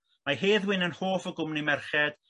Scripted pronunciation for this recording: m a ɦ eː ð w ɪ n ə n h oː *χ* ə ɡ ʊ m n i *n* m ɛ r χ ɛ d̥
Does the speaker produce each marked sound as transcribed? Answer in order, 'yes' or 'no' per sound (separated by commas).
no, no